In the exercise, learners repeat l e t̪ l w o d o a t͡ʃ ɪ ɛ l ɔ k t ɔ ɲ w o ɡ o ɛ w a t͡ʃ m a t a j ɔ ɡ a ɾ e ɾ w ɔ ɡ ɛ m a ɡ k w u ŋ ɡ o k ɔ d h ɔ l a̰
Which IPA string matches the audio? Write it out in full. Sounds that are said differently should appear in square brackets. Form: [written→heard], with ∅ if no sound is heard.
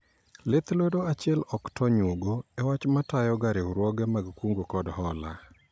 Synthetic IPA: l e t̪ l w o d o a t͡ʃ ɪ ɛ l ɔ k t ɔ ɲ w o ɡ o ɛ w a t͡ʃ m a t a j ɔ ɡ a ɾ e ɾ w ɔ ɡ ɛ m a ɡ k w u ŋ ɡ o k ɔ d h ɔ l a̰